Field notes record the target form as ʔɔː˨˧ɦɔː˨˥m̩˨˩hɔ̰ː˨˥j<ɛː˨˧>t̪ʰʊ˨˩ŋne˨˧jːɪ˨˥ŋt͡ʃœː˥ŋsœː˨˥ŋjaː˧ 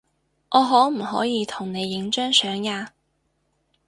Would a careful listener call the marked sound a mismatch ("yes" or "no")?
yes